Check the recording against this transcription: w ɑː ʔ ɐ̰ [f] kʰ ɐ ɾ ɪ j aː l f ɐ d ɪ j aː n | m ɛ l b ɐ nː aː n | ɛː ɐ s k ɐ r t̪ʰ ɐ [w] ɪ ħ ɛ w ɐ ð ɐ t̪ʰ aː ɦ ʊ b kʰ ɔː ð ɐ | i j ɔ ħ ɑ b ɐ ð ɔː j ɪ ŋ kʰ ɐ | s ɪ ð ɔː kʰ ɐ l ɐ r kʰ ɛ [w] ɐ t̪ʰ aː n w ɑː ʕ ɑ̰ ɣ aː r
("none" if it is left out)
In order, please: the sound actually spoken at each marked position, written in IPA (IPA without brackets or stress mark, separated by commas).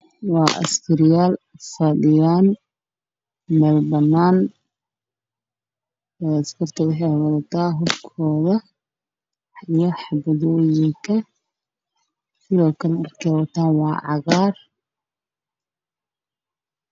s, w, w